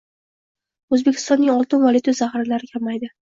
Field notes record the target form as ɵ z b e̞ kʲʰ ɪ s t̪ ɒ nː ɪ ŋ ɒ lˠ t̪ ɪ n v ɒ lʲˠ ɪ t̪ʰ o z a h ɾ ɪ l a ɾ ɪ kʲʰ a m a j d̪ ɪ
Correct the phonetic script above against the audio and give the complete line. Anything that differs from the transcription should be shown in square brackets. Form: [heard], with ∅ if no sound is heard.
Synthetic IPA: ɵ z b e̞ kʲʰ ɪ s t̪ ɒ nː ɪ ŋ ɒ lˠ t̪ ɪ n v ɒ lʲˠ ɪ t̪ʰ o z a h ɾ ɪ l a ɾ ɪ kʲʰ a m a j d̪ ɪ